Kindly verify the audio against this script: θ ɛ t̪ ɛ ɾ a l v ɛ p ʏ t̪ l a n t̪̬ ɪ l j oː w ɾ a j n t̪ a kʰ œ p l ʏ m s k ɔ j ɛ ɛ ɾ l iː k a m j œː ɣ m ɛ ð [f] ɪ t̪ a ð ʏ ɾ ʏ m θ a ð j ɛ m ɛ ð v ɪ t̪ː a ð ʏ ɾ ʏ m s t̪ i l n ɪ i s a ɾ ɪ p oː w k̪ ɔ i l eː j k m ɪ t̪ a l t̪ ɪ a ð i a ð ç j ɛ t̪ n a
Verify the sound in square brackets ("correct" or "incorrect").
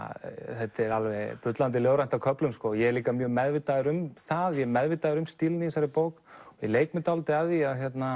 incorrect